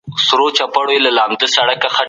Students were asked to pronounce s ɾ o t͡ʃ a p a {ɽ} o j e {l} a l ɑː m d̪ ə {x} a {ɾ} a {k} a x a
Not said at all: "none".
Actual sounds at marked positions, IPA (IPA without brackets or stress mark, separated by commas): ɽ, l, s, ɽ, k